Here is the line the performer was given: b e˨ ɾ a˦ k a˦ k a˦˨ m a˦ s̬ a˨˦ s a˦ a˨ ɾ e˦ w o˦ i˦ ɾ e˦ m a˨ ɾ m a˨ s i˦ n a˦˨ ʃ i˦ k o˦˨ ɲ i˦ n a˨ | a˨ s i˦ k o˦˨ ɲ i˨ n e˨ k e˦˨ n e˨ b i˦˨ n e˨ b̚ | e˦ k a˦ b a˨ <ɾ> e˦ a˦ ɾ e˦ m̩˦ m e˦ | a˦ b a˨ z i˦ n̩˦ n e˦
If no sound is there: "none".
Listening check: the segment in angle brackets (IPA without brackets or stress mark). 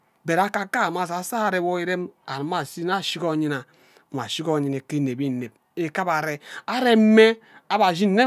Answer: ɾ